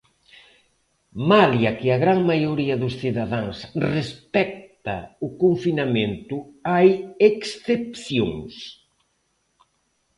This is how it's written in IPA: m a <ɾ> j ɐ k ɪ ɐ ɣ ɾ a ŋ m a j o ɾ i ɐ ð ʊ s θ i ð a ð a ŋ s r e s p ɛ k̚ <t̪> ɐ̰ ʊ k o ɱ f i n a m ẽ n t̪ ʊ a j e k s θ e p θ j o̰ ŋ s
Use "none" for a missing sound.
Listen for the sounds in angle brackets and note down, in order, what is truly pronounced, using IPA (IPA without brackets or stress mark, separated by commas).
l, t̪